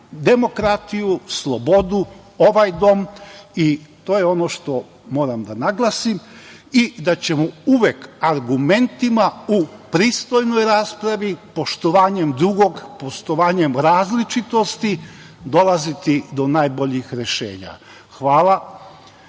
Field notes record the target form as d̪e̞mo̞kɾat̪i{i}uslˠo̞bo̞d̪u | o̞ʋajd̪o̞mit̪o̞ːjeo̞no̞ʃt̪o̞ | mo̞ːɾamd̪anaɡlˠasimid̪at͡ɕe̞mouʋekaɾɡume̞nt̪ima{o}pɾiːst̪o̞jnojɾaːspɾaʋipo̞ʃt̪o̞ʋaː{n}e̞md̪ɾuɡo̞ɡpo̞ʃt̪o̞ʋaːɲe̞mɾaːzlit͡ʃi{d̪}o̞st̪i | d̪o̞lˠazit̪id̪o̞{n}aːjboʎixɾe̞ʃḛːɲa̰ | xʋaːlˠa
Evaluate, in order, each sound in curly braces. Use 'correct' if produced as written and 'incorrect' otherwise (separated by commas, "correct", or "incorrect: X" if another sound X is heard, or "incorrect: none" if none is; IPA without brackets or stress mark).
incorrect: j, incorrect: u, incorrect: ɲ, incorrect: t̪, correct